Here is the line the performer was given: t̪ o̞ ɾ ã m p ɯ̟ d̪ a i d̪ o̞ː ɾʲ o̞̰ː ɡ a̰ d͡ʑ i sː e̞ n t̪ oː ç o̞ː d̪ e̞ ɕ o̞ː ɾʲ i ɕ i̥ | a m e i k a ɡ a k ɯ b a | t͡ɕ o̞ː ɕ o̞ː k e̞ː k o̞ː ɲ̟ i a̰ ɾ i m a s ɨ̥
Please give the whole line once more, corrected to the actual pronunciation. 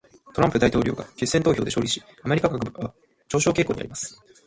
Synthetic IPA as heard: t̪ o̞ ɾ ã m p ɯ̟ d̪ a i t̪ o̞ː ɾʲ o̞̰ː ɡ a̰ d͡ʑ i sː e̞ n t̪ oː ç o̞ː d̪ e̞ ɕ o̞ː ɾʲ i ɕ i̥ | a m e i k a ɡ a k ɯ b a | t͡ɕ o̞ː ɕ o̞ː k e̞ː k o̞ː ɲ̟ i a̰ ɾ i m a s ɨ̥